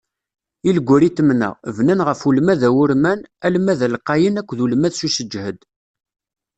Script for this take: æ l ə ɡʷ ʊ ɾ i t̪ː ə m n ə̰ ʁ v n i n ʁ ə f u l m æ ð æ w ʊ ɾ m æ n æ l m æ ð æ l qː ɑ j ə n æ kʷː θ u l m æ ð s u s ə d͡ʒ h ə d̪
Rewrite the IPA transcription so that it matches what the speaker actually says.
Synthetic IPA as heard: i l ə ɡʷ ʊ ɾ i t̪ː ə m n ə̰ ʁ v n æ n ʁ ə f u l m æ ð æ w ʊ ɾ m æ n æ l m æ ð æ l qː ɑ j ə n æ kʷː ð u l m æ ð s u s ə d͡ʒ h ə d̪